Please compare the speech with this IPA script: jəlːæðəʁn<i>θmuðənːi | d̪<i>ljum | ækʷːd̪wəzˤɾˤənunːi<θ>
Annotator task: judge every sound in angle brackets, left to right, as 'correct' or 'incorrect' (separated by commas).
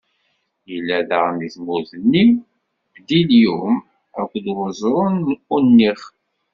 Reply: correct, correct, incorrect